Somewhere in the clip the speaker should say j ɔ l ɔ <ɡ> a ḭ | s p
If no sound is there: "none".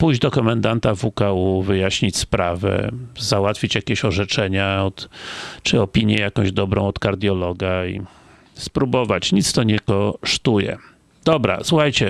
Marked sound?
ɡ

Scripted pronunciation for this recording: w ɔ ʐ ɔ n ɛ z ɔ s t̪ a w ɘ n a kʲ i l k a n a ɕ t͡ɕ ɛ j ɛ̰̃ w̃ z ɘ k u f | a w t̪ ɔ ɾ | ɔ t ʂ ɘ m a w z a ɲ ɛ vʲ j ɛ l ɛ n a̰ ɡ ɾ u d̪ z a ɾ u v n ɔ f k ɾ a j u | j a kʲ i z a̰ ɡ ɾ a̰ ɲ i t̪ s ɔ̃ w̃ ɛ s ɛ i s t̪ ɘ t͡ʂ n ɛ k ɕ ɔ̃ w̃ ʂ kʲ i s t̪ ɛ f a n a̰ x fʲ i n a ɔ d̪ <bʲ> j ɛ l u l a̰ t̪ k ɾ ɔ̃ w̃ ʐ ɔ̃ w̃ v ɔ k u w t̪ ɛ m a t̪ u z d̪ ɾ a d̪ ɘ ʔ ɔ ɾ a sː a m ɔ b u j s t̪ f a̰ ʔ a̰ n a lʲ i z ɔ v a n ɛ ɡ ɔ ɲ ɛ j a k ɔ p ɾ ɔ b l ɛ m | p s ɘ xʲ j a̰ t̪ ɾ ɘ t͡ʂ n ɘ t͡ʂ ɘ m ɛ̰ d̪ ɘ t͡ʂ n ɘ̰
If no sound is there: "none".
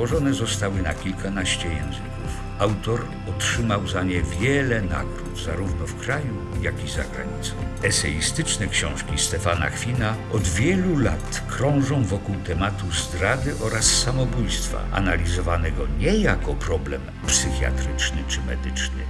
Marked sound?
vʲ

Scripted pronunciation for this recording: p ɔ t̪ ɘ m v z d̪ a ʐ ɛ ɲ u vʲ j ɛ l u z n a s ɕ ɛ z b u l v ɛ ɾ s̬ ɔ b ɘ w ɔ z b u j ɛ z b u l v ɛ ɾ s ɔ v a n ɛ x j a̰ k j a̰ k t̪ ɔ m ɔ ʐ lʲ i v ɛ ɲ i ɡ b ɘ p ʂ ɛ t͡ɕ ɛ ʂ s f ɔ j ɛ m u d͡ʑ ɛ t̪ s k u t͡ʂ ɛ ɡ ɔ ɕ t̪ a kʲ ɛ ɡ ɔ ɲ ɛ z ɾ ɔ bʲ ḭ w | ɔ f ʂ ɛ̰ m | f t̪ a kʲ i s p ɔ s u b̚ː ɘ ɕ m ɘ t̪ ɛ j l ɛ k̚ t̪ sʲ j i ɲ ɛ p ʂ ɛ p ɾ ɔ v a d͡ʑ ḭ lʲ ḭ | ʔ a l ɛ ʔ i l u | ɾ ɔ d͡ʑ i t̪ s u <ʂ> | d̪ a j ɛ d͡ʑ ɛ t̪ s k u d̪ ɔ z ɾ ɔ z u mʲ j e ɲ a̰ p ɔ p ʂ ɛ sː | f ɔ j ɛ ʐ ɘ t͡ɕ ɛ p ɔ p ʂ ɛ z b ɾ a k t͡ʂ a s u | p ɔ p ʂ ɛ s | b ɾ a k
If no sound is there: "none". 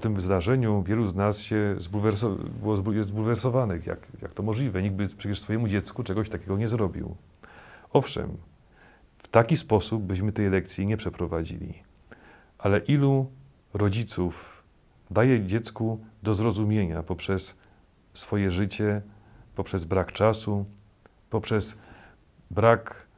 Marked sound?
f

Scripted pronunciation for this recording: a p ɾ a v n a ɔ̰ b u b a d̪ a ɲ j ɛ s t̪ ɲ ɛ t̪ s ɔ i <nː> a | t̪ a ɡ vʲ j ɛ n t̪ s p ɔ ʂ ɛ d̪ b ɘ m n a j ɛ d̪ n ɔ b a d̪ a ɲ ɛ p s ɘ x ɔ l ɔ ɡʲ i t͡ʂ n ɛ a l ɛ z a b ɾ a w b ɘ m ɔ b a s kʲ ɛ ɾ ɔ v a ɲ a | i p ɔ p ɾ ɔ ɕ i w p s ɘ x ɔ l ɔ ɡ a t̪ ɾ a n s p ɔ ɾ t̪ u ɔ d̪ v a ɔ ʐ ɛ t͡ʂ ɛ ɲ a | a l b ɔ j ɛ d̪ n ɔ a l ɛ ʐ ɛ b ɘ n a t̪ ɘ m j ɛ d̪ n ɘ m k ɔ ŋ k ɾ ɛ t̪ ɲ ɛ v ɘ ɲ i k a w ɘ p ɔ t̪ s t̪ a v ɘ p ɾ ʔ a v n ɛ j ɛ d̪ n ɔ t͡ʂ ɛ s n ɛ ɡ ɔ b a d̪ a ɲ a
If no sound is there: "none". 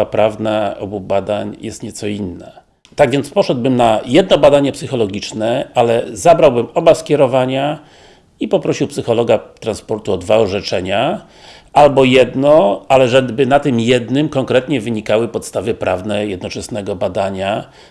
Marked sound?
nː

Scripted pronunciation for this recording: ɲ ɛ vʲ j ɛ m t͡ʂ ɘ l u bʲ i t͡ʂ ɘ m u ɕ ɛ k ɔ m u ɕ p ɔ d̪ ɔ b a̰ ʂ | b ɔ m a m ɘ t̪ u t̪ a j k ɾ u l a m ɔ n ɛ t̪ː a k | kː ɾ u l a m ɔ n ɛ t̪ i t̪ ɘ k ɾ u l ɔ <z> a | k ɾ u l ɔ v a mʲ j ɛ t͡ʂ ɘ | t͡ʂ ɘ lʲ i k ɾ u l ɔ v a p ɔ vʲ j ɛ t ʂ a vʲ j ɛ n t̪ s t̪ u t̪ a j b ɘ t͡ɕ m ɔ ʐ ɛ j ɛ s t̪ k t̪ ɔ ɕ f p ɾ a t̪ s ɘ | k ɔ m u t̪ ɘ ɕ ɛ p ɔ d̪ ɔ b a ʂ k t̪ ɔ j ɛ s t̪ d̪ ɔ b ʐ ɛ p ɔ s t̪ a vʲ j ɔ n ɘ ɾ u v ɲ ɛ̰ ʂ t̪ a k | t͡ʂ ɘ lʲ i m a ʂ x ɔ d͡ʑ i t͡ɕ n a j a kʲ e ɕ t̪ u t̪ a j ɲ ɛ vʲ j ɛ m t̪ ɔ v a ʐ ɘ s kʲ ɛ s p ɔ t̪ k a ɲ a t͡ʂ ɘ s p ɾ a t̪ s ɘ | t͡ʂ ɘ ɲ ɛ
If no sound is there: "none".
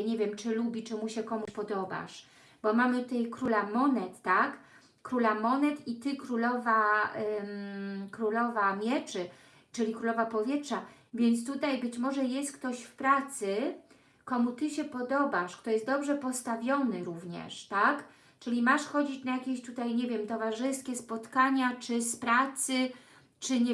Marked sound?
v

